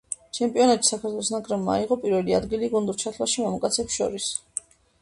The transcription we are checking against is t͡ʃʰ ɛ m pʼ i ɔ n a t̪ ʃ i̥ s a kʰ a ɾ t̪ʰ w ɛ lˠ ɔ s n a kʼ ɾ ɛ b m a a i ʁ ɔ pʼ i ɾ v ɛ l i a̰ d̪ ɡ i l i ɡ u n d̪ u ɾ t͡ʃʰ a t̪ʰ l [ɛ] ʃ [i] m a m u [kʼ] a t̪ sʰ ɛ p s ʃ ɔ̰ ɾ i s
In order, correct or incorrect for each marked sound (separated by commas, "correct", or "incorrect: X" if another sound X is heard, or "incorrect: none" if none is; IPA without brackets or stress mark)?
incorrect: a, correct, correct